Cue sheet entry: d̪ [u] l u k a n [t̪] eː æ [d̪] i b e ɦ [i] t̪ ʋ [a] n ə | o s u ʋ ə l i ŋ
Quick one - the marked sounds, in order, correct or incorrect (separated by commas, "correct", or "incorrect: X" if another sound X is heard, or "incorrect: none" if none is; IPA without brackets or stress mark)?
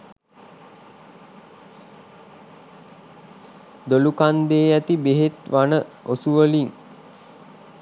incorrect: o, incorrect: d̪, incorrect: t̪, incorrect: e, correct